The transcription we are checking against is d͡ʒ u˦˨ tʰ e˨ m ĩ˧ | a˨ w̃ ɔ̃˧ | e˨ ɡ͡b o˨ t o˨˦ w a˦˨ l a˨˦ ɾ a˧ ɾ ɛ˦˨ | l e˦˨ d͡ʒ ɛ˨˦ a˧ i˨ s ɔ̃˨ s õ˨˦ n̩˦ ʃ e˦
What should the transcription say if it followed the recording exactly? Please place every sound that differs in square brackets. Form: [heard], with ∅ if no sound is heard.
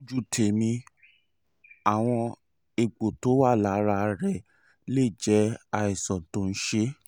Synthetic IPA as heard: d͡ʒ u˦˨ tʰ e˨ m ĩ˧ | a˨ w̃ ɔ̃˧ | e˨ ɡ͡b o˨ t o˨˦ w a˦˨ l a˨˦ ɾ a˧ ɾ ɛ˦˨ | l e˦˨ d͡ʒ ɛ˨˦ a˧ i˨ s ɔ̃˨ [t] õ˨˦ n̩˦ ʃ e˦